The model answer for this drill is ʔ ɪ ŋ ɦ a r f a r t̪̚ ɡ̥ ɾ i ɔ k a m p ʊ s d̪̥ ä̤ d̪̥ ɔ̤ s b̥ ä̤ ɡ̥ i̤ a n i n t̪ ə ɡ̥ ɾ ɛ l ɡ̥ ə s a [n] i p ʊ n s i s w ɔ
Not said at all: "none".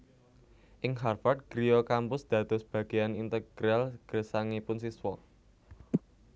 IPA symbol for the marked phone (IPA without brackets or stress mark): ŋ